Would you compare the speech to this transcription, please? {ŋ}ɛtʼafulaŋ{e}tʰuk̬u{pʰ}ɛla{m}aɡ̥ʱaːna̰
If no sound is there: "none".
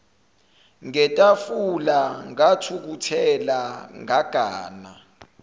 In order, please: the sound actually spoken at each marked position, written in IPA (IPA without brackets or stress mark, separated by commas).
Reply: ŋ, a, tʰ, ŋ